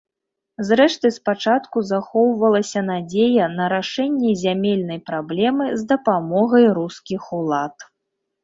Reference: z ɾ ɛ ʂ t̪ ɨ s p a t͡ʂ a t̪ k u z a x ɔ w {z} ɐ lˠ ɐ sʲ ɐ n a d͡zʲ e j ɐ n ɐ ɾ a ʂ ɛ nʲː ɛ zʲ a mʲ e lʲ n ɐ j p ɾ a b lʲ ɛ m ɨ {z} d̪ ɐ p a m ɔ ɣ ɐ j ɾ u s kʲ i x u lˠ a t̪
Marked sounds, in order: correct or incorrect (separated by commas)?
incorrect, correct